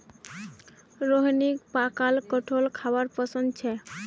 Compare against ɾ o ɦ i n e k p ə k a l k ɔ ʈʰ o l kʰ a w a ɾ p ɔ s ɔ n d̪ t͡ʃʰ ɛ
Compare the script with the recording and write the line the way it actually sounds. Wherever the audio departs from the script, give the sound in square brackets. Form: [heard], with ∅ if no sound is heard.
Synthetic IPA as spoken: ɾ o ɦ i n [i] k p [a] k a l k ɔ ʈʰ o l kʰ a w a ɾ p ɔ s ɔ n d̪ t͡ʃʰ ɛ